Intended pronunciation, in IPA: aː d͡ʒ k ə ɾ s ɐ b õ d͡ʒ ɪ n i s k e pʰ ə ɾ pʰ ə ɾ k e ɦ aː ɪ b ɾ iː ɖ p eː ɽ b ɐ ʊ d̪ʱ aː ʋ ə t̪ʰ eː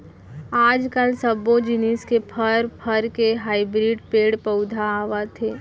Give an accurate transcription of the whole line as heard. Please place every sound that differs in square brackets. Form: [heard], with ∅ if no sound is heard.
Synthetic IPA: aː d͡ʒ k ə [l] s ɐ b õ d͡ʒ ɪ n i s k e pʰ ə ɾ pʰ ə ɾ k e ɦ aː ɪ b ɾ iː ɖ p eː ɽ [p] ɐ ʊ d̪ʱ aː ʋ [a] t̪ʰ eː